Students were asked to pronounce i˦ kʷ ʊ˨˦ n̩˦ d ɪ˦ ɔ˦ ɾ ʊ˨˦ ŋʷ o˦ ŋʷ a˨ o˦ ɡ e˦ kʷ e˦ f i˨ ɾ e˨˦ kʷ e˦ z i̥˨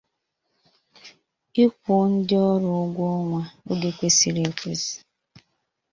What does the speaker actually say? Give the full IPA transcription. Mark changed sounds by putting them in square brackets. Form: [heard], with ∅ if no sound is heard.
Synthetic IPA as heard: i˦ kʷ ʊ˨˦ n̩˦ d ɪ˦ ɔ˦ ɾ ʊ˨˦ [ɡʷ] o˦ ŋʷ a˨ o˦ ɡ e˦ kʷ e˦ [s] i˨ ɾ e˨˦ kʷ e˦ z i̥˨